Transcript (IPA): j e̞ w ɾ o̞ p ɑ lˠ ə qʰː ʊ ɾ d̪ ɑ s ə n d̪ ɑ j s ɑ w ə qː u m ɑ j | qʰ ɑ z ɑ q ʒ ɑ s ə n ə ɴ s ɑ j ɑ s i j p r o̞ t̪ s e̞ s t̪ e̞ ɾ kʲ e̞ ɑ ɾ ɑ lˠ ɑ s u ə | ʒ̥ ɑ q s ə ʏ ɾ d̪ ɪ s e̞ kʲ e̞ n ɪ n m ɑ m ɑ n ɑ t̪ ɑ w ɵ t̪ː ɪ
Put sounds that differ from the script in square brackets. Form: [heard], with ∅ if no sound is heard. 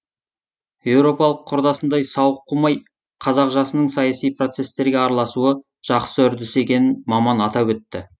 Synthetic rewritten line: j e̞ w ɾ o̞ p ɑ lˠ ə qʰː ʊ ɾ d̪ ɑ s ə n d̪ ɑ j s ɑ w ə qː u m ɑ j | qʰ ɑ z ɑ q ʒ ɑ s ə n ə ɴ s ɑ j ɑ s i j p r o̞ t̪ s e̞ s t̪ e̞ ɾ [ɡʲ] e̞ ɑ ɾ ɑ lˠ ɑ s u ə | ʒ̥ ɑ q s ə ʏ ɾ d̪ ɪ s e̞ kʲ e̞ n ɪ n m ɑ m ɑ n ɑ t̪ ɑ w ɵ t̪ː ɪ